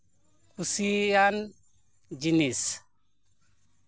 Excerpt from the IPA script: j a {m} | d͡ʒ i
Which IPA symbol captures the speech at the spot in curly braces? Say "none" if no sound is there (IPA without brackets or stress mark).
n